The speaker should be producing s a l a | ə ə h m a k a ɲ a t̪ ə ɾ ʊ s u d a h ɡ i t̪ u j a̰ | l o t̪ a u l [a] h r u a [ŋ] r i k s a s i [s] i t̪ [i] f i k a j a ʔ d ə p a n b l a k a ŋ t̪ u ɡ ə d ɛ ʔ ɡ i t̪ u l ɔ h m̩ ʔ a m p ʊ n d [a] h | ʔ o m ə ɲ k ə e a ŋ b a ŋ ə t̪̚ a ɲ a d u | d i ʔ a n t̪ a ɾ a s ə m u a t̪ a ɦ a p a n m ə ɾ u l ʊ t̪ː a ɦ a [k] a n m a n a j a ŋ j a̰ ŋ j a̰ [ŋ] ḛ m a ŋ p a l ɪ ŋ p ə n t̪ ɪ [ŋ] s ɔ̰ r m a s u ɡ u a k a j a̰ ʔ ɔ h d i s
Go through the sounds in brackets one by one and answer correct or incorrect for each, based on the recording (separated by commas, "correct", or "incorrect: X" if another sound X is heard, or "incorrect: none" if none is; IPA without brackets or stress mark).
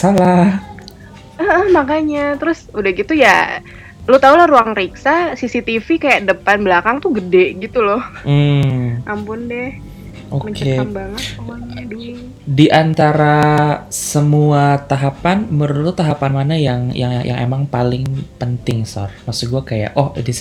correct, correct, correct, correct, incorrect: ɛ, incorrect: p, correct, correct